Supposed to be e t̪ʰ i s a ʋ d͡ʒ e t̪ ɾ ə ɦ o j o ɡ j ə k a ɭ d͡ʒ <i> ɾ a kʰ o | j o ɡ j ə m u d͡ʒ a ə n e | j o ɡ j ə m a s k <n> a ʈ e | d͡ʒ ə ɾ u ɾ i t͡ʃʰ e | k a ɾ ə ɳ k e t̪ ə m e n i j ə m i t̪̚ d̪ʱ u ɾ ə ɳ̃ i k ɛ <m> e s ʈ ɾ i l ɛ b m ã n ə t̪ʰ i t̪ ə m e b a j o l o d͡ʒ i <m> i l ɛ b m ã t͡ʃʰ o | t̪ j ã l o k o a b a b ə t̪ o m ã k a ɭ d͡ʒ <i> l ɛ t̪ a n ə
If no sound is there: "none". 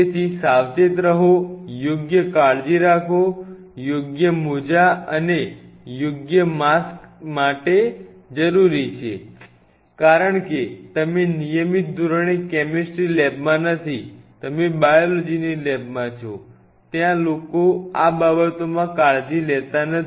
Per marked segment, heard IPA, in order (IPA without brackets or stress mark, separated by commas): i, m, m, n, i